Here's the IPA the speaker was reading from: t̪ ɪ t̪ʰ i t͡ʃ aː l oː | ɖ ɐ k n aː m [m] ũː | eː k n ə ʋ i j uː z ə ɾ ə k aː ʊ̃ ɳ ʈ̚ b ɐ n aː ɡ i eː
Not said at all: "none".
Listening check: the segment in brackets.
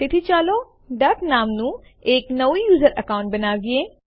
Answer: n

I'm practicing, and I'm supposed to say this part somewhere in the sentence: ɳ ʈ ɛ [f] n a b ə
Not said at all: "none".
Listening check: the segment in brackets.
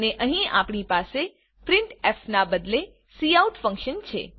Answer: f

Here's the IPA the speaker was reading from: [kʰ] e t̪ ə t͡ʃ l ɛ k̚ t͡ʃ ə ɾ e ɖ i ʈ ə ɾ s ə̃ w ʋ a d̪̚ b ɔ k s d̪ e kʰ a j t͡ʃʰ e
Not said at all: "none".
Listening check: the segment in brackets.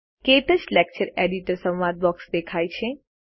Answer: k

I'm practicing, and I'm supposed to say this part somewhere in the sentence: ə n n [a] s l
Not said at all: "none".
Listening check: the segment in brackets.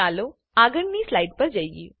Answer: i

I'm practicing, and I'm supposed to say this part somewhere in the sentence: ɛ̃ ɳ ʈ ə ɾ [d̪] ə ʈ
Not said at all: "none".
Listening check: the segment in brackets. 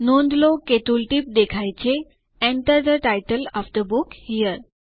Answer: d̪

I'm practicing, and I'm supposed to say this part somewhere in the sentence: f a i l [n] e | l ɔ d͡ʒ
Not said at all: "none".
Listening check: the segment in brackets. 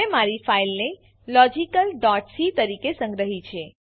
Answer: n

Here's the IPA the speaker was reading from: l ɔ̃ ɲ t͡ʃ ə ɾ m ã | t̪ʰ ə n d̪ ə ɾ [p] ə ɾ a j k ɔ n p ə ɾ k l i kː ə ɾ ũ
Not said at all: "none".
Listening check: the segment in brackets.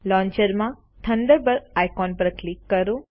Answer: b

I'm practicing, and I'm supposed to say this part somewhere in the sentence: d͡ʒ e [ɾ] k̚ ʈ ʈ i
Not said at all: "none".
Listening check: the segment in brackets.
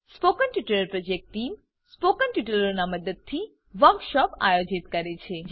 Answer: none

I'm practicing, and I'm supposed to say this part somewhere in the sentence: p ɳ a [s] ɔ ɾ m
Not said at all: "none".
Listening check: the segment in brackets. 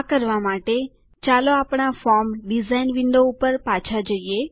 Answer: f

